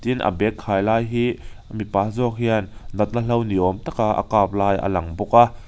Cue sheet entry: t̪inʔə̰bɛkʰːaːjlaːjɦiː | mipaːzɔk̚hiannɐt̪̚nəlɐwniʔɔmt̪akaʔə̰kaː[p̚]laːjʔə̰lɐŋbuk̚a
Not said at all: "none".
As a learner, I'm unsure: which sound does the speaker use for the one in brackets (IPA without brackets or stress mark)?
p̚